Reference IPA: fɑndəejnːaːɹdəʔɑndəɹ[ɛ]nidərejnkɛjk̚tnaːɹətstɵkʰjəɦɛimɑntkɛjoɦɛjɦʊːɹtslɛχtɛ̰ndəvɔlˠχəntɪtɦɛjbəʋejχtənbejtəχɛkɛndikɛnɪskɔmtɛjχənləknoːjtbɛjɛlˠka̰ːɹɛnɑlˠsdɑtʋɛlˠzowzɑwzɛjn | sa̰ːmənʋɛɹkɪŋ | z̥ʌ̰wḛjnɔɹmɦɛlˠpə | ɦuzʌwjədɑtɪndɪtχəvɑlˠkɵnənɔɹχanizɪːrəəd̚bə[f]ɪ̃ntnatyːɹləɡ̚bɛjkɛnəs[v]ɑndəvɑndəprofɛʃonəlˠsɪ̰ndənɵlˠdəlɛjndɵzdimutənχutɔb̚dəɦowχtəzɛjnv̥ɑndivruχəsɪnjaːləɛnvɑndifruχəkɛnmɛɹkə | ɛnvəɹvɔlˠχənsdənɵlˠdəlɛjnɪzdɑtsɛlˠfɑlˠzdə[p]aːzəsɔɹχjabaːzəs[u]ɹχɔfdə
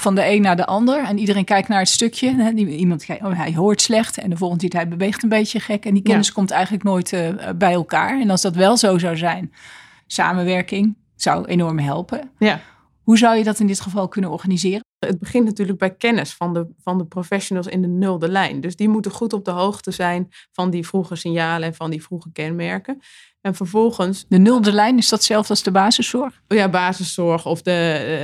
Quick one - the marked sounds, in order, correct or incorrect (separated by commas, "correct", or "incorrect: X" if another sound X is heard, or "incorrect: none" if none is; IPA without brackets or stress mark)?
correct, incorrect: χ, incorrect: f, incorrect: b, incorrect: ɔ